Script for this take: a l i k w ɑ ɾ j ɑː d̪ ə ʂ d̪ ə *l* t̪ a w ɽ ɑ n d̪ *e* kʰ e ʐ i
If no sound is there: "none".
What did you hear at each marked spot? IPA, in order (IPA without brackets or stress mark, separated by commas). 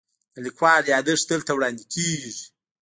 l, i